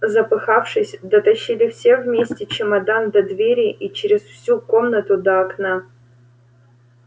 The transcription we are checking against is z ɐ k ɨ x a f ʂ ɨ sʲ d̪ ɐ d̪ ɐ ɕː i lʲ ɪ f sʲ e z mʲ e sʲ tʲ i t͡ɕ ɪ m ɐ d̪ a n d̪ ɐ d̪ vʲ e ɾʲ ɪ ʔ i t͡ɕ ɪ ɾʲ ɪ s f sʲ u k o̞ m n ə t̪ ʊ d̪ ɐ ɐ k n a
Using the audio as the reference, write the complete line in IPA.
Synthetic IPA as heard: z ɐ p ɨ x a f ʂ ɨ sʲ d̪ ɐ t̪ ɐ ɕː i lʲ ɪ f sʲ e v mʲ e sʲ tʲ ɪ t͡ɕ ɪ m ɐ d̪ a n d̪ ɐ d̪ vʲ e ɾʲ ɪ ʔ i t͡ɕ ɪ ɾʲ ɪ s f sʲ u k o̞ m n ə t̪ ʊ d̪ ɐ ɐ k n a

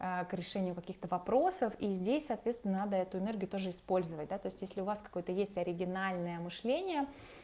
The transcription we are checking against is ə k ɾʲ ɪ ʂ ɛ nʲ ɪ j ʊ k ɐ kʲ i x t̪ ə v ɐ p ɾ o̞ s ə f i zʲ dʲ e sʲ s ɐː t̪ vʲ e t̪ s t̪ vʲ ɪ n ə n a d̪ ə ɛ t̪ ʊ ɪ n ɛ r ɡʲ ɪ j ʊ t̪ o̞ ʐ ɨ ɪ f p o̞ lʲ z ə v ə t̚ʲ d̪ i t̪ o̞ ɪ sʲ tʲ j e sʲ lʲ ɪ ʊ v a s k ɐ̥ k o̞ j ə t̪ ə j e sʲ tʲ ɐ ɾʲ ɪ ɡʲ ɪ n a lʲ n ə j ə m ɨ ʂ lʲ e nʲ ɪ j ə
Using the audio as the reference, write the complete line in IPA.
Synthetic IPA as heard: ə k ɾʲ ɪ ʂ ɛ nʲ ɪ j ʊ k ɐ kʲ i x t̪ ə v ɐ p ɾ o̞ s ə f i zʲ dʲ e sʲ s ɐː t̪ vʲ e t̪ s t̪ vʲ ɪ n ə n a d̪ ə ɛ t̪ ʊ ɪ n ɛ r ɡʲ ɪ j ʊ t̪ o̞ ʐ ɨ ɪ s p o̞ lʲ z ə v ə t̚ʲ d̪ a t̪ o̞ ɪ sʲ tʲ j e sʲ lʲ ɪ ʊ v a s k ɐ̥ k o̞ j ə t̪ ə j e sʲ tʲ ɐ ɾʲ ɪ ɡʲ ɪ n a lʲ n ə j ə m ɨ ʂ lʲ e nʲ ɪ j ə

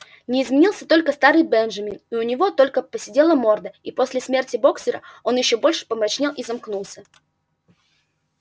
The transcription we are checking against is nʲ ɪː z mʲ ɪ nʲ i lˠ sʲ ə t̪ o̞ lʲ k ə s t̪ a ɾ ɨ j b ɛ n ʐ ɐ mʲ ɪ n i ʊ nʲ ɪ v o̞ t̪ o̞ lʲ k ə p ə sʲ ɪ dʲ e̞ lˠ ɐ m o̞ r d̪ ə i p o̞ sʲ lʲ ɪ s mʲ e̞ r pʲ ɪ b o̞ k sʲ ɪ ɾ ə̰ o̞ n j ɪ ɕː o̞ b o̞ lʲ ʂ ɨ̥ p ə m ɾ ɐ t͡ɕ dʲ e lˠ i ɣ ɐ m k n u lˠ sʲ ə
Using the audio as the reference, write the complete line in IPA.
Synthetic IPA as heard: nʲ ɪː z mʲ ɪ nʲ i lˠ sʲ ə t̪ o̞ lʲ k ə s t̪ a ɾ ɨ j b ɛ n ʐ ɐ mʲ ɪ n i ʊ nʲ ɪ v o̞ t̪ o̞ lʲ k ə p ə sʲ ɪ dʲ e̞ lˠ ə m o̞ r d̪ ə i p o̞ sʲ lʲ ɪ s mʲ e̞ r tʲ ɪ b o̞ k sʲ ɪ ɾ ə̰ o̞ n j ɪ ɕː o̞ b o̞ lʲ ʂ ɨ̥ p ə m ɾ ɐ t͡ɕ nʲ e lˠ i z ɐ m k n u lˠ sʲ ə

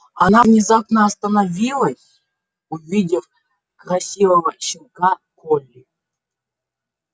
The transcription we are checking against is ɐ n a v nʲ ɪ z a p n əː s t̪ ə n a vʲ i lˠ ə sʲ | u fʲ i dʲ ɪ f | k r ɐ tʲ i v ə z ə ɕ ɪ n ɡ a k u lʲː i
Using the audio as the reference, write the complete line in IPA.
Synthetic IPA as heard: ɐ n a v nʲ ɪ z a p n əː s t̪ ə n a vʲ i lˠ ə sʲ | u vʲ i dʲ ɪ f | k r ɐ sʲ i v ə v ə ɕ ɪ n k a k o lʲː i

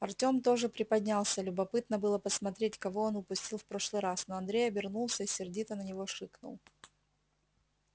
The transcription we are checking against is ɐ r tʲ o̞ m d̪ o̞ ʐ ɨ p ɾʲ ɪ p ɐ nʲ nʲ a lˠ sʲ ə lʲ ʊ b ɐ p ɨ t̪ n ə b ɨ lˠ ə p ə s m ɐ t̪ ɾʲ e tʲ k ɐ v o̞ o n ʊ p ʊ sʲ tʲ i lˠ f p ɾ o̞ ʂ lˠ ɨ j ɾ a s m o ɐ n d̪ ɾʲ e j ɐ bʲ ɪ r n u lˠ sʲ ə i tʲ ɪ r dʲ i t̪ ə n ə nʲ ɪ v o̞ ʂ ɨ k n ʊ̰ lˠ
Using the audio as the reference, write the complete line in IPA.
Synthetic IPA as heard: ɐ r tʲ o̞ m t̪ o̞ ʐ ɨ p ɾʲ ɪ p ɐ dʲ nʲ a lˠ sʲ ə lʲ ʊ b ɐ p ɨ t̪ n ə b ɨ lˠ ə p ə s m ɐ t̪ ɾʲ e tʲ k ɐ v o̞ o n ʊ p ʊ sʲ tʲ i lˠ f p ɾ o̞ ʂ lˠ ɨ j ɾ a s n o ɐ n d̪ ɾʲ e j ɐ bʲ ɪ r n u lˠ sʲ ə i sʲ ɪ r dʲ i t̪ ə n ə nʲ ɪ v o̞ ʂ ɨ k n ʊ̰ lˠ

